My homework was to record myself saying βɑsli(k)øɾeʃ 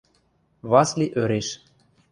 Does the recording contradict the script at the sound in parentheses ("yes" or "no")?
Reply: yes